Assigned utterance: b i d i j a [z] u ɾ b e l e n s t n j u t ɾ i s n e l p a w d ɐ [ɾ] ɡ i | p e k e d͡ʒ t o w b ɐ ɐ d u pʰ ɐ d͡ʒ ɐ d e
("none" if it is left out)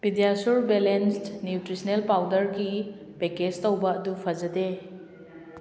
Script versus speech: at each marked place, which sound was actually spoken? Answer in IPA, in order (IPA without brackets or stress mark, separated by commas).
s, ɾ